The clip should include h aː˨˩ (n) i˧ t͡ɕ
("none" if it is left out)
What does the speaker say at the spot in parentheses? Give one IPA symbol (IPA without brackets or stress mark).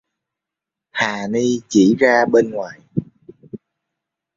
n